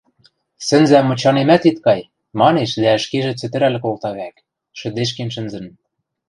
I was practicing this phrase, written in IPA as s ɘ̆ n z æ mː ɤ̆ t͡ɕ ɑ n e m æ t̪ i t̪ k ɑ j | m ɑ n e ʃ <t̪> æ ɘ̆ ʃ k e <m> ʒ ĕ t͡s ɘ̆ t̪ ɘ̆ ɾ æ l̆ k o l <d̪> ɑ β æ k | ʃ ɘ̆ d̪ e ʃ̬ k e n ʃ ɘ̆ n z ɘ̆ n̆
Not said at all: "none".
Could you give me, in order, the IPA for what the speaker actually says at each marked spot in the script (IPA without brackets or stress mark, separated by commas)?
d̪, none, t̪